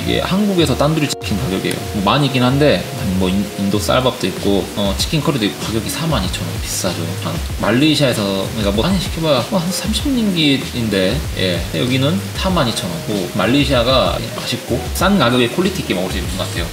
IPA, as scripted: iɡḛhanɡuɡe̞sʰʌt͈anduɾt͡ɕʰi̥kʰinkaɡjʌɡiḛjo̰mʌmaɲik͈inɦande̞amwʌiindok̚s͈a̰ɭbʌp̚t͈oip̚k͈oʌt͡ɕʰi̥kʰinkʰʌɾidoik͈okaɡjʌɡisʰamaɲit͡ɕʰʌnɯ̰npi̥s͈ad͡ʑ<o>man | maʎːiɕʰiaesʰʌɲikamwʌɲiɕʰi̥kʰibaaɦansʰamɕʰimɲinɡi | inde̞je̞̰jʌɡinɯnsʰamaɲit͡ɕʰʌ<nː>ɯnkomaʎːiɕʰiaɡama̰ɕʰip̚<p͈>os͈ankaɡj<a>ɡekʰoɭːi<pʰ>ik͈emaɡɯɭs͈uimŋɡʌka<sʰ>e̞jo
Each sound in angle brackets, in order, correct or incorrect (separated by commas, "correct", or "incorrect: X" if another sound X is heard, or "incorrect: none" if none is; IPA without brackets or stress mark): correct, incorrect: n, incorrect: k͈, incorrect: ʌ, incorrect: tʰ, incorrect: tʰ